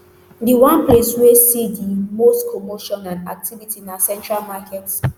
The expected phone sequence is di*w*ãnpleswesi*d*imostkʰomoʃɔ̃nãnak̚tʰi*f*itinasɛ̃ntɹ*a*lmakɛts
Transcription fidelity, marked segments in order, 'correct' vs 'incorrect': correct, correct, incorrect: v, correct

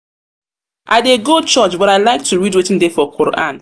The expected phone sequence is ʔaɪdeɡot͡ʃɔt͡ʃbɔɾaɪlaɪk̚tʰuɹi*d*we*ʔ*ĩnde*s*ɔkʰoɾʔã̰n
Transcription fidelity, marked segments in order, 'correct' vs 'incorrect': correct, incorrect: t, incorrect: f

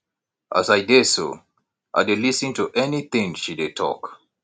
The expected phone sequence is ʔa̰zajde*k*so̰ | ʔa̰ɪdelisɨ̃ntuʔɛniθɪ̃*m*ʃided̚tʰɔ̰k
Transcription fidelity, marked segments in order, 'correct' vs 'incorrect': incorrect: none, incorrect: ŋ

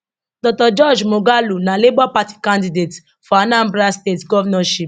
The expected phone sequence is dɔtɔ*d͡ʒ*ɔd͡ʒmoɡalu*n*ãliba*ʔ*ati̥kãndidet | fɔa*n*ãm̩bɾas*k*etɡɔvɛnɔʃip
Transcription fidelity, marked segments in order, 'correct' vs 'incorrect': correct, correct, incorrect: p, correct, incorrect: t

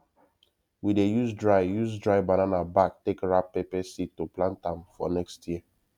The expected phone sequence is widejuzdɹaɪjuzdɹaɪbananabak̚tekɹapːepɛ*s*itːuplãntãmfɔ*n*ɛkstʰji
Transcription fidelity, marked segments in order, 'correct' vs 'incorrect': correct, correct

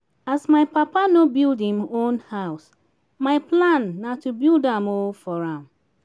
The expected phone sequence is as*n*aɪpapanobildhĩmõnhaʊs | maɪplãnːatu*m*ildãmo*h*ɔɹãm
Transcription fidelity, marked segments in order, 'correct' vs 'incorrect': incorrect: m, incorrect: b, incorrect: f

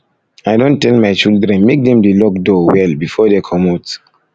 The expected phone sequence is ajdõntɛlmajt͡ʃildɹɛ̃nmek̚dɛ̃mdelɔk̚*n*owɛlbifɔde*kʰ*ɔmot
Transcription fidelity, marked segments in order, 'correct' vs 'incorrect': incorrect: d, correct

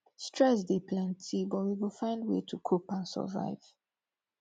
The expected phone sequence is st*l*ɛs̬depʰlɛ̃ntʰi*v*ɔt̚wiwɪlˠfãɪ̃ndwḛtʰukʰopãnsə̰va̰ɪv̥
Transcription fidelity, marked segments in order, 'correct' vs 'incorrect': incorrect: ɹ, incorrect: b

